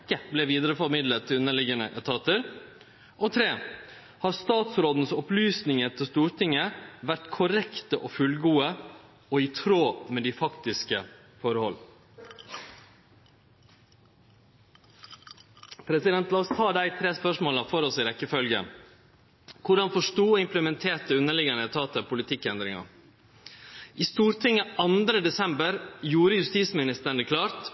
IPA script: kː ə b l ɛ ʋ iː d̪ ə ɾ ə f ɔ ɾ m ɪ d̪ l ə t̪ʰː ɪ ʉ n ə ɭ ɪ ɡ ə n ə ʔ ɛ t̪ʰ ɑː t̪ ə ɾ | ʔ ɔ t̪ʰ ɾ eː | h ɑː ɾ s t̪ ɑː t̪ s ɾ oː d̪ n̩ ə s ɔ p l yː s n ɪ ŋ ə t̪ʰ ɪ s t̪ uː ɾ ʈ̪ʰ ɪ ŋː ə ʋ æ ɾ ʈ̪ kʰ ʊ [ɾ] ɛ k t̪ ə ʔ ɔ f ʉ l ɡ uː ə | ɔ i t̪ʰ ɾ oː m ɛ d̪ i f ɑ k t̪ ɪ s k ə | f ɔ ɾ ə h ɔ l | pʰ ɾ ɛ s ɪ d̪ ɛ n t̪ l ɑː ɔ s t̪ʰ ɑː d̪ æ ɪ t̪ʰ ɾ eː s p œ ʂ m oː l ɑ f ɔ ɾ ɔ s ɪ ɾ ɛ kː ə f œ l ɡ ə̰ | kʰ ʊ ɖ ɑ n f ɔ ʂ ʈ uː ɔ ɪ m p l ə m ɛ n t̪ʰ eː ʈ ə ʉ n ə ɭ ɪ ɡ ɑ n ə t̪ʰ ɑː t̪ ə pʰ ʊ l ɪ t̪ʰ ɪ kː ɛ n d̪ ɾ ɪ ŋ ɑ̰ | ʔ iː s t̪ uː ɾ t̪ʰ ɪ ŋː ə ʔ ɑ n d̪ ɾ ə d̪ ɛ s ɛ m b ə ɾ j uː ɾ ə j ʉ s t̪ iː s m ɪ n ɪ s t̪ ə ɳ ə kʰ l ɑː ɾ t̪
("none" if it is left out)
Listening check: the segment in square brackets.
ɾ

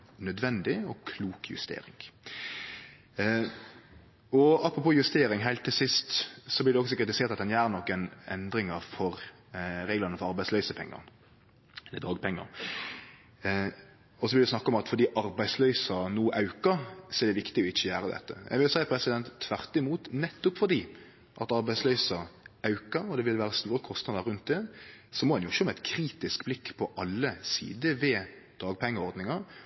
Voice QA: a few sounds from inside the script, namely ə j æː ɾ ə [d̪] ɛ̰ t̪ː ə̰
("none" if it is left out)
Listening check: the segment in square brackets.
d̪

